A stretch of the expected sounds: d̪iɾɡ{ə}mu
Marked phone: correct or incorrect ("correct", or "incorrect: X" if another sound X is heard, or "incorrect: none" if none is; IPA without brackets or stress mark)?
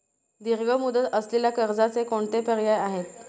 correct